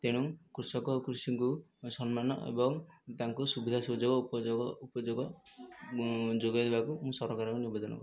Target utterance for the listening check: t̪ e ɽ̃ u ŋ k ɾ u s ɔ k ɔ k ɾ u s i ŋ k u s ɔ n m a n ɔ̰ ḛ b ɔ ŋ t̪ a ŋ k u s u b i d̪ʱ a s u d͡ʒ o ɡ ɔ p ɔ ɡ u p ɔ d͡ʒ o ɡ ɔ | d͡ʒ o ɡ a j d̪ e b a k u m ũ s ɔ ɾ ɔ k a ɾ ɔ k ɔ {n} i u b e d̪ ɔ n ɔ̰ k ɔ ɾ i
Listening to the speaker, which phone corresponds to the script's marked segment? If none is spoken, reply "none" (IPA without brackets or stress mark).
n